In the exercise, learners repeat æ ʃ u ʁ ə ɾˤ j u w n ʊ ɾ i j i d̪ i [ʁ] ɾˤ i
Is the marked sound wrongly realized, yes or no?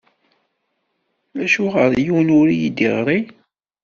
no